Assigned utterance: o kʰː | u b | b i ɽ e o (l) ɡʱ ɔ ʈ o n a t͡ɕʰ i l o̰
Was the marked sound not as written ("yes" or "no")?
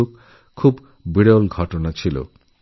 no